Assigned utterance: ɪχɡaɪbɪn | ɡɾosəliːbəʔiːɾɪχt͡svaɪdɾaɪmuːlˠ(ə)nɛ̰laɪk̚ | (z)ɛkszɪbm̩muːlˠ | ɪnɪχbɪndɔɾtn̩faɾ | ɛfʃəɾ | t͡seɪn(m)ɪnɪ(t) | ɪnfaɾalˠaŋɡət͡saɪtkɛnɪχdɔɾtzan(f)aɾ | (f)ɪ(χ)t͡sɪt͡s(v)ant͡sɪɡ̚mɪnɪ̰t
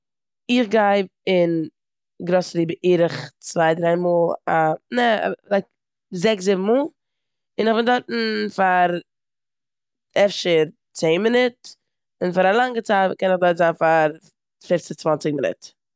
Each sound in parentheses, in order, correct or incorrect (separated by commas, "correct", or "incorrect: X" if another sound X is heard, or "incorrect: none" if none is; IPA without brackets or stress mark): incorrect: a, correct, correct, correct, correct, correct, incorrect: f, correct